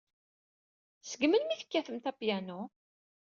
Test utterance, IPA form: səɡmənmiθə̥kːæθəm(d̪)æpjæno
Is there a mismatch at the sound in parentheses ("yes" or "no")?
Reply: yes